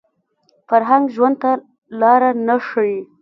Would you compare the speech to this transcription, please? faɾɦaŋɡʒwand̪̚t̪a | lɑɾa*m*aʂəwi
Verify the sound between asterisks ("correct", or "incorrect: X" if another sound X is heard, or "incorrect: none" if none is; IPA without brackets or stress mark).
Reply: incorrect: n